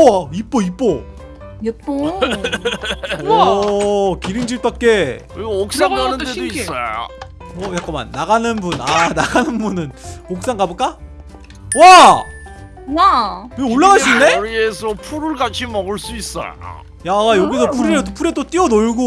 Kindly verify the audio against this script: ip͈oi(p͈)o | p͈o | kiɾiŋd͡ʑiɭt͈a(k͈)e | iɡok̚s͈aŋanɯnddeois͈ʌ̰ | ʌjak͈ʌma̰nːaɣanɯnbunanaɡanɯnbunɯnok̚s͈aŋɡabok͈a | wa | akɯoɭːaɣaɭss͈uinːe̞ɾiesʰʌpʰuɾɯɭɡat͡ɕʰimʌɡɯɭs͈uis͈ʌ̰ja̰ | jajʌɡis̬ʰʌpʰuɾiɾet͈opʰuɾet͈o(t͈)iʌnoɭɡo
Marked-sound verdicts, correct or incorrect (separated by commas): correct, correct, correct